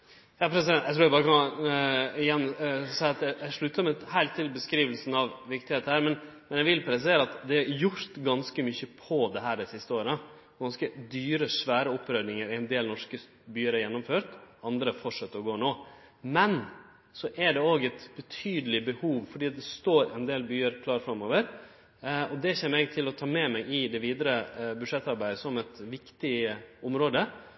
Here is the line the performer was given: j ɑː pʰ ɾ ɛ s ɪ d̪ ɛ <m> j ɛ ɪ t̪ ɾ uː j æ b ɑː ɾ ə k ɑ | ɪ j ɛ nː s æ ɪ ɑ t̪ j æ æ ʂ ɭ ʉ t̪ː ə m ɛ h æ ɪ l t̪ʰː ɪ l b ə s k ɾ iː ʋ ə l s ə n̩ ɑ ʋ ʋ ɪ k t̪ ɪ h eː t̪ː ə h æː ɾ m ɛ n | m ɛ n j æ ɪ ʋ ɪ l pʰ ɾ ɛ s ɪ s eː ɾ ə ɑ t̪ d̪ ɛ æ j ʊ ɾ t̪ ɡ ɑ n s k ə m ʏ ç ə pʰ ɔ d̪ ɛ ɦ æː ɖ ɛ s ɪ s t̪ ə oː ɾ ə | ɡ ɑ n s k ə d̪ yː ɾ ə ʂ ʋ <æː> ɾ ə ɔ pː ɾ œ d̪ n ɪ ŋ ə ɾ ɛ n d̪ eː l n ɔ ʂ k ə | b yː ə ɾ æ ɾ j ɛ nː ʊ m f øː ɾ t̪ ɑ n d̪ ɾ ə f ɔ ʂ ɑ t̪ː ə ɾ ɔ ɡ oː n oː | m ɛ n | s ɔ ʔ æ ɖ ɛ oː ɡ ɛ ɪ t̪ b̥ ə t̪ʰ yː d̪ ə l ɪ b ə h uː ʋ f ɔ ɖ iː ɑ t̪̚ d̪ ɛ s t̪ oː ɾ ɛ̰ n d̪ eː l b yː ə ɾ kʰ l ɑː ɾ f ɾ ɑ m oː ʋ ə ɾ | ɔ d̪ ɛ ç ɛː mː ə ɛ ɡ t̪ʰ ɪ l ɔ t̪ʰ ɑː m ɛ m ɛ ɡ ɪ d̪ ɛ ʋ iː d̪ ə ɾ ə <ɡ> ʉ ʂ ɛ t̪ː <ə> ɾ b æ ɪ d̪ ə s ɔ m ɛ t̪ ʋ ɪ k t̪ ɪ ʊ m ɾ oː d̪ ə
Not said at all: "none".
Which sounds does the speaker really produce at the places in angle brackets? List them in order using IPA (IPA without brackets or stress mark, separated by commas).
n, æː, b, ɑ